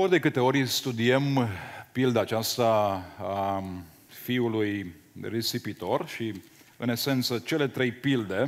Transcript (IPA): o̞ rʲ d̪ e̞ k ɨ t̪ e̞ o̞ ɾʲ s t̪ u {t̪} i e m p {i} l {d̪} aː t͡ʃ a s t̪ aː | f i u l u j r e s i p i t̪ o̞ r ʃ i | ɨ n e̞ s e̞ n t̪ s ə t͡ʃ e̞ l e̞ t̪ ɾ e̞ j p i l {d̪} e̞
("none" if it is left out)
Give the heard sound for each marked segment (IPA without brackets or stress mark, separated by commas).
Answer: d̪, i, d̪, d̪